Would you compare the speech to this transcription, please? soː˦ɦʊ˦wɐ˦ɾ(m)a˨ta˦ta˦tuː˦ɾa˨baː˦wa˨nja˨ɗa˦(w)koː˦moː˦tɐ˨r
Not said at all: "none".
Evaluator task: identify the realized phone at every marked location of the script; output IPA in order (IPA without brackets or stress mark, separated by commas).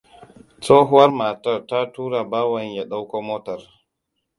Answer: m, w